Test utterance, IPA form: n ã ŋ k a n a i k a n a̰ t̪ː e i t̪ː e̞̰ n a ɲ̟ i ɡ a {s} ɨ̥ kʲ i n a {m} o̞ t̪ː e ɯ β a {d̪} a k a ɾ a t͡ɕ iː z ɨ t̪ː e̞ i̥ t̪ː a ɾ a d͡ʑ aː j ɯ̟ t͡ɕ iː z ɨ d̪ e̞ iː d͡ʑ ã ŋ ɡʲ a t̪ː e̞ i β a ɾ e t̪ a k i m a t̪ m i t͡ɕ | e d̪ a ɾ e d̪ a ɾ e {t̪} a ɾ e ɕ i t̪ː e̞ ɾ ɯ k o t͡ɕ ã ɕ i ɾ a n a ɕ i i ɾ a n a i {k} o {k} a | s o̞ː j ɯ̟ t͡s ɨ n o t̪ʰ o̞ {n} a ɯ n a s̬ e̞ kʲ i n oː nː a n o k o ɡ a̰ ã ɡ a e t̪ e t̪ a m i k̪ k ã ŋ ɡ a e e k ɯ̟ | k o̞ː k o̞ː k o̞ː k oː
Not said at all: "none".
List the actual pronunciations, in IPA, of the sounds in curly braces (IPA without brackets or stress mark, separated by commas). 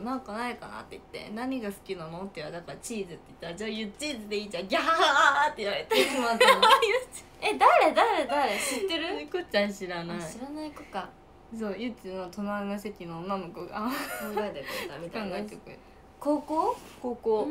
s, n, d̪, d̪, k, k, n